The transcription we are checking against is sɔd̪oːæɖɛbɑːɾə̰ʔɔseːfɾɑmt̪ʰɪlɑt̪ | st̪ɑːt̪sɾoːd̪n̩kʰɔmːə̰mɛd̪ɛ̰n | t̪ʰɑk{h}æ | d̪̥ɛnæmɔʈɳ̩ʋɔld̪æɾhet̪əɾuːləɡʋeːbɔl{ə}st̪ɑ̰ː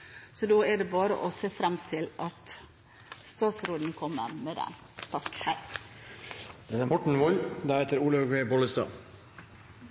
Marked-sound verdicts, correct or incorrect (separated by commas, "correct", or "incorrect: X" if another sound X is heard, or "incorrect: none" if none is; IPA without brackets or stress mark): correct, correct